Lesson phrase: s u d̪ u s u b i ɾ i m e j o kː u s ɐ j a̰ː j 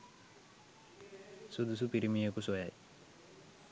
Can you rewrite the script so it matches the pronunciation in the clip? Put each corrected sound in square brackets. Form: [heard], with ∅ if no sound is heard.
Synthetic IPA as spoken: s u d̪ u s u [p] i ɾ i m [i] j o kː u s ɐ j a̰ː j